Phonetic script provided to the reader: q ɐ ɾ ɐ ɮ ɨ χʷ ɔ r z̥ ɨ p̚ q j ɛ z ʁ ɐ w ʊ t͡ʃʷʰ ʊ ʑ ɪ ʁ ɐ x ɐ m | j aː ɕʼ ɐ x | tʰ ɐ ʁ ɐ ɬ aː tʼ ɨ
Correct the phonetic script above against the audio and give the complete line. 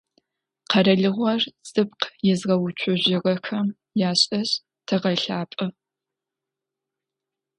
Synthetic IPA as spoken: q ɐ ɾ ɐ ɮ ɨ ʁʷ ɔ r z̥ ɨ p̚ q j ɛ z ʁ ɐ w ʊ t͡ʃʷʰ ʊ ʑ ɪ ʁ ɐ x ɐ m | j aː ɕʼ ɐ ɕ | tʰ ɐ ʁ ɐ ɬ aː pʼ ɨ